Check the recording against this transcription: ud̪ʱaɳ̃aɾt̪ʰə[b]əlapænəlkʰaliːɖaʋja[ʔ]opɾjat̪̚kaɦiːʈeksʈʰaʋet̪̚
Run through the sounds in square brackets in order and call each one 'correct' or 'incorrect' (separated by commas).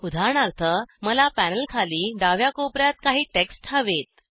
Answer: incorrect, incorrect